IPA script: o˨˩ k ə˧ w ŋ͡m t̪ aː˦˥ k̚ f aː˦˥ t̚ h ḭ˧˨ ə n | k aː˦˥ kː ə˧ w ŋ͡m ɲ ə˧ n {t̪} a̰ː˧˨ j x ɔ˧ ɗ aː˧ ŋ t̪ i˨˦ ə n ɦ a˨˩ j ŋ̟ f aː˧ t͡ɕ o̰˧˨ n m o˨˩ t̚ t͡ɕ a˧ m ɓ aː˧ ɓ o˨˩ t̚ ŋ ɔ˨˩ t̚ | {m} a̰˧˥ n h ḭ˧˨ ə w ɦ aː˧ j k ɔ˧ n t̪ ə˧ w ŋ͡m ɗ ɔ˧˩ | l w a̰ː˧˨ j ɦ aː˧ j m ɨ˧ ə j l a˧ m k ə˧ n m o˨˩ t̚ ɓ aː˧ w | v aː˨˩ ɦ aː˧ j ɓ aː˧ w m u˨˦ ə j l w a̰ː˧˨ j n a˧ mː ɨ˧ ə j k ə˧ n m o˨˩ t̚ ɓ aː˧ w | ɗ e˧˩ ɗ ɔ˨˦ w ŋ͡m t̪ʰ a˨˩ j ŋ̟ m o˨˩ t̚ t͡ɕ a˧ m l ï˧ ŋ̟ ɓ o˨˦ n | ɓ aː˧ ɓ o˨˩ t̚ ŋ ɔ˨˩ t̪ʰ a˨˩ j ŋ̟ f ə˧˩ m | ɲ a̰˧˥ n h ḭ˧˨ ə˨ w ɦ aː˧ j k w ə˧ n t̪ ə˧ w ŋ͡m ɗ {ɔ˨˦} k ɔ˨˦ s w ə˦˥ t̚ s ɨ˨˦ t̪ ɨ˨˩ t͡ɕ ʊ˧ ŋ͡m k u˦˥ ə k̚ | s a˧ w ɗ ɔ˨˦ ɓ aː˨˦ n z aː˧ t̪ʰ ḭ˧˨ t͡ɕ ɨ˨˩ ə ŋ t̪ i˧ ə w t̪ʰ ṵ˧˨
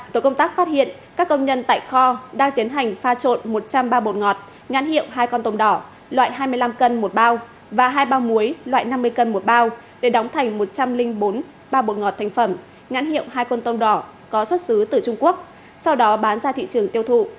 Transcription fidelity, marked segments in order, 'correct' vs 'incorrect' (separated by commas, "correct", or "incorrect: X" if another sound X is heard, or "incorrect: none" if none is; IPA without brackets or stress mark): correct, incorrect: ɲ, incorrect: ɔ˧˩